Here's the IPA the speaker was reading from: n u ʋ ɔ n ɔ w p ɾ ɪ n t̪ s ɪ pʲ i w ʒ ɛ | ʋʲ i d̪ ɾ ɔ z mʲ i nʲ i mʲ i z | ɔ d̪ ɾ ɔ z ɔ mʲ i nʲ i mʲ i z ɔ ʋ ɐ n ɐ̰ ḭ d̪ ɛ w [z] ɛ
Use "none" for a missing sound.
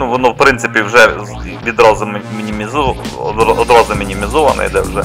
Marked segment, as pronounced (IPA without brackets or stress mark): ʒ